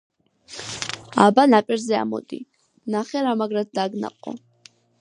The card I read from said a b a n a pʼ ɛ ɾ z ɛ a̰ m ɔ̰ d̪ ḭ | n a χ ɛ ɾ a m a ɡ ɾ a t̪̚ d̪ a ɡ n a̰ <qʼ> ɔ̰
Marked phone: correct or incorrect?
correct